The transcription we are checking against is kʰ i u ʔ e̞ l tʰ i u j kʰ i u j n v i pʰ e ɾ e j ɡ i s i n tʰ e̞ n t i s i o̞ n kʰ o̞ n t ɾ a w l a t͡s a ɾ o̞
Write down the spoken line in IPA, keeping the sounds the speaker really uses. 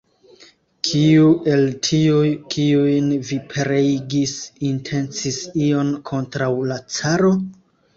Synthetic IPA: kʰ i u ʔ e̞ l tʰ i u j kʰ i u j n v i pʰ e ɾ e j ɡ i s i n tʰ e̞ n t͡s i s i o̞ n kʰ o̞ n t ɾ a w l a t͡s a ɾ o̞